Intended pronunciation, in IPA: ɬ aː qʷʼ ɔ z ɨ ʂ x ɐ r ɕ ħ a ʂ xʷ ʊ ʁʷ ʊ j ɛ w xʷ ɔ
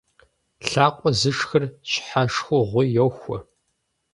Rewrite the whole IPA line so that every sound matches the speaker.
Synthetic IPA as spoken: ɬ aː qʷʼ ɔ z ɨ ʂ x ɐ r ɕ ħ a ʂ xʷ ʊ ʁʷ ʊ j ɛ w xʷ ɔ